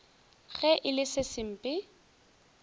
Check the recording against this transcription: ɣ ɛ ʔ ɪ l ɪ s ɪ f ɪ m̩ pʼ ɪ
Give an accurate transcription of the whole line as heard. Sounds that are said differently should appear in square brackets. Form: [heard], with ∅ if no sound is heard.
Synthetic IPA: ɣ ɛ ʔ ɪ l ɪ s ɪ [s] ɪ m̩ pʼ ɪ